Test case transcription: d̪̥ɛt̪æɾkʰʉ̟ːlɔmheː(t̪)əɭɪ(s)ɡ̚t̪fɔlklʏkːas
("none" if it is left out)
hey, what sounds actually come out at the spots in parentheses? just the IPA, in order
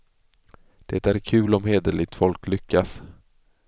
d̪, none

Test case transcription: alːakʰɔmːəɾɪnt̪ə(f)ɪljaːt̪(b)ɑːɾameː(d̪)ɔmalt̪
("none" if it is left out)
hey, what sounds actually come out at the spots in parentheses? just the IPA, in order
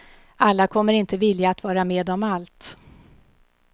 v, v, d̪

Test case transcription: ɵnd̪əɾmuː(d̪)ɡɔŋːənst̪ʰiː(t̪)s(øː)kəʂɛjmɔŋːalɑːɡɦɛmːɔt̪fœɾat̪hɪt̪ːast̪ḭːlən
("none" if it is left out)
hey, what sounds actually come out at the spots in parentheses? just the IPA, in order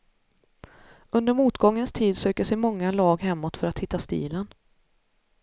t̪, d̪, øː

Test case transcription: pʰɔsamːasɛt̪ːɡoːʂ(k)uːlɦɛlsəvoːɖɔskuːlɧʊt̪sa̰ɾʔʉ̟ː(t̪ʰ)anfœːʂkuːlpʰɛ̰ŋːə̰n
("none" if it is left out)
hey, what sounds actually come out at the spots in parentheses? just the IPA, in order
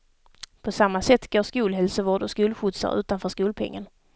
k, t̪

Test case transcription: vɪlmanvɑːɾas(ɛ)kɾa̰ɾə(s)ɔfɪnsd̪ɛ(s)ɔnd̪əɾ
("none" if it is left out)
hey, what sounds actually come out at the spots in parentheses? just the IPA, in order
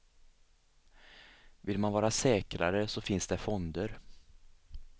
ɛː, s, f

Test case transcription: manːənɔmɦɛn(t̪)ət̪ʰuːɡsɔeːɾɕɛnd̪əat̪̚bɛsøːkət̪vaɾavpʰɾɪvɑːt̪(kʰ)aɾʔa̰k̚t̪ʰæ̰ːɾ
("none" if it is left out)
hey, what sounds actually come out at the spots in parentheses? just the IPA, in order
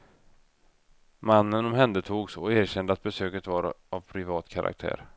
d̪, kʰ

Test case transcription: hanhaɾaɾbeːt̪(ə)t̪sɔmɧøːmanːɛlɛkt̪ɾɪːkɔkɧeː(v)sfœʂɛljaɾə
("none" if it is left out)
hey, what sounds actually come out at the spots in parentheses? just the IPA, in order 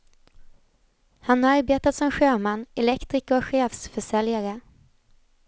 a, f

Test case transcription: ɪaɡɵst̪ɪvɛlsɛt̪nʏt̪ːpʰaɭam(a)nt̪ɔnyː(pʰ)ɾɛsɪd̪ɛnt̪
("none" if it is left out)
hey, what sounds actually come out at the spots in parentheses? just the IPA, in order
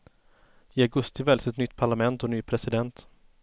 ɛ, pʰ

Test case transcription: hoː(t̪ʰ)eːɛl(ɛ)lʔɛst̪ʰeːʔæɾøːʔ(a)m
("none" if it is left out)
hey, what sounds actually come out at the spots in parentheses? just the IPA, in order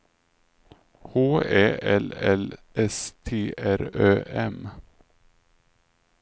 none, ɛ, ɛ

